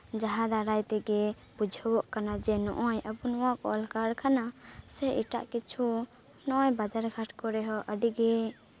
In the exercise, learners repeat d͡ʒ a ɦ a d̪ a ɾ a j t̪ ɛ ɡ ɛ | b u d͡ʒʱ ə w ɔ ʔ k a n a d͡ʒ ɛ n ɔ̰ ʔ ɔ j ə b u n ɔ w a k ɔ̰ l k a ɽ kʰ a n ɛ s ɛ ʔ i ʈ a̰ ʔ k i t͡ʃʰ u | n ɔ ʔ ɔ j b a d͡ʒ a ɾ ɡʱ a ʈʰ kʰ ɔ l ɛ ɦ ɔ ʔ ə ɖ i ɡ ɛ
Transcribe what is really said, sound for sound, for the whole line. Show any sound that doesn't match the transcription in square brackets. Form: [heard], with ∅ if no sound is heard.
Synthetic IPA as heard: d͡ʒ a ɦ a d̪ a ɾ a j t̪ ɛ ɡ ɛ | b u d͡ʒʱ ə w ɔ ʔ k a n a d͡ʒ ɛ n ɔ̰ ʔ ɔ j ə b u n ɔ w a k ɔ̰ l k a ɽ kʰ a n [a] s ɛ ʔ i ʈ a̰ ʔ k i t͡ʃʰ u | n ɔ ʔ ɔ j b a d͡ʒ a ɾ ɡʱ a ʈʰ [k] ɔ [ɾ] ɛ ɦ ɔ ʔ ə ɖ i ɡ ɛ